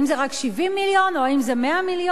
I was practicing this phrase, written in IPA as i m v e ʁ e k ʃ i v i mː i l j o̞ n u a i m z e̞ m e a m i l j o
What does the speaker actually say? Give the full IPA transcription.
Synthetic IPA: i m z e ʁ a k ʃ i v i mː i l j o̞ n o a i m z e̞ m e a m i l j o